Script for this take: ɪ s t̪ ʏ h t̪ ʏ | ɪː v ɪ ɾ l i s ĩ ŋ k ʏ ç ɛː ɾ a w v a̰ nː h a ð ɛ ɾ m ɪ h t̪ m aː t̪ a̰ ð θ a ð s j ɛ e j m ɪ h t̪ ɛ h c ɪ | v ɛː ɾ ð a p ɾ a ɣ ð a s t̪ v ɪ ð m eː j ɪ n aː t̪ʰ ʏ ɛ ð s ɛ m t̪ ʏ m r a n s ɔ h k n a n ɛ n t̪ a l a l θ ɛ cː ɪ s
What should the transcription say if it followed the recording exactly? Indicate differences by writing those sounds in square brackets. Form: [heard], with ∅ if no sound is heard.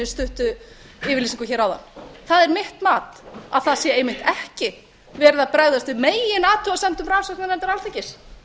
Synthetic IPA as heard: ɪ s t̪ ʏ h t̪ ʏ | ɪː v ɪ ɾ l i s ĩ ŋ k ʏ ç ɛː ɾ a w [ð] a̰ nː [θ] a ð ɛ ɾ m ɪ h t̪ m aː t̪ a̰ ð θ a ð s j ɛ e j m ɪ h t̪ ɛ h c ɪ | v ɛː ɾ ð a p ɾ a ɣ ð a s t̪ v ɪ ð m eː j ɪ n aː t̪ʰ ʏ [a] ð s ɛ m t̪ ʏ m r a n s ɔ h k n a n ɛ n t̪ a [ɾ] a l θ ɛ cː ɪ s